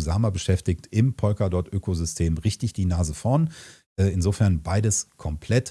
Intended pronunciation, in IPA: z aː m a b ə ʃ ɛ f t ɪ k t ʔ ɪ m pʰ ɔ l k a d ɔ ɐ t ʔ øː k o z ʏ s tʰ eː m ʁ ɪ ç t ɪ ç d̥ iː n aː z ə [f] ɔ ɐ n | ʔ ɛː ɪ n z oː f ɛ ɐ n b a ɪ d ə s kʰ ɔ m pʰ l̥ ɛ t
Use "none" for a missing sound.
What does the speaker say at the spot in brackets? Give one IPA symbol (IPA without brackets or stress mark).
f